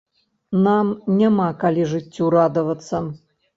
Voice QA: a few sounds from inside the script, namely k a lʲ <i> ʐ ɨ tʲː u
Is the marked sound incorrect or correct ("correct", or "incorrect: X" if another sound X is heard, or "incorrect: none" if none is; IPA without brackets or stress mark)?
correct